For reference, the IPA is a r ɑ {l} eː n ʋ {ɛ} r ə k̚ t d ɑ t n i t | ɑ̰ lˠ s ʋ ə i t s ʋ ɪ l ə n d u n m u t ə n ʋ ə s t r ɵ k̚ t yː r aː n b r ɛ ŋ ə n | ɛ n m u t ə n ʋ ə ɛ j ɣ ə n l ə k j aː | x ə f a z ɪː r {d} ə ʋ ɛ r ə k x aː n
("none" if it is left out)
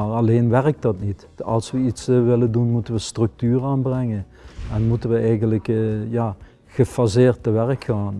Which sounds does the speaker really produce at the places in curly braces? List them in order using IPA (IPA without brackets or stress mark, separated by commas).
l, ɛ, t